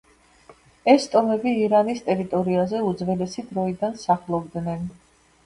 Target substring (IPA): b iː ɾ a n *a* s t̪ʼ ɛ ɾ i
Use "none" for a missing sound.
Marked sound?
i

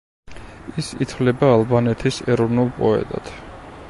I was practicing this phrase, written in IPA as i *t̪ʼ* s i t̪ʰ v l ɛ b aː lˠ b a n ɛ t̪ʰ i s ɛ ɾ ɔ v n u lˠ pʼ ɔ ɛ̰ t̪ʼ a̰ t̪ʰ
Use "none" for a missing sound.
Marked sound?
none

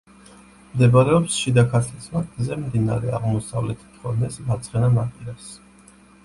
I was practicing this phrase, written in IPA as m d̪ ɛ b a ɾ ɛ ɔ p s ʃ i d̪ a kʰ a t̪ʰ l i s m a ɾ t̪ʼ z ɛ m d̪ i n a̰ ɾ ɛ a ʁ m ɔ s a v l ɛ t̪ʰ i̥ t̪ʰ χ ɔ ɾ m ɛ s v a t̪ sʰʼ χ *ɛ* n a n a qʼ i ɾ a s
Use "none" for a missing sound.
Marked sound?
ɛ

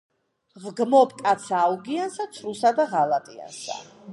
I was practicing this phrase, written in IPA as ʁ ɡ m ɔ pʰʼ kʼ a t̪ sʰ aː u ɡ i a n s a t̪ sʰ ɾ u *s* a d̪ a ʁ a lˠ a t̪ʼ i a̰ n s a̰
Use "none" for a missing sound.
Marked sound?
s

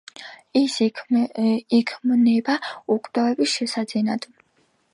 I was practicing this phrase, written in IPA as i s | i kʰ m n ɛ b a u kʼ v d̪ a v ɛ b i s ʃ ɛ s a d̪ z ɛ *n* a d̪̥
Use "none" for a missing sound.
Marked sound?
n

